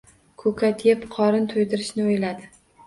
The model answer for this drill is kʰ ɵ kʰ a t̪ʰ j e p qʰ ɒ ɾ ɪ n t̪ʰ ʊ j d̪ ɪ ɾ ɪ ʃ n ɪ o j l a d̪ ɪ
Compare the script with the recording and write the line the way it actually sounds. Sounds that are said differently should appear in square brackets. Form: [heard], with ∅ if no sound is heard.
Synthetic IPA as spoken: kʰ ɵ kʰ a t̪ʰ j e p qʰ ɒ ɾ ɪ n t̪ʰ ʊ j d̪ ɪ ɾ ɪ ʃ n ɪ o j l a d̪ ɪ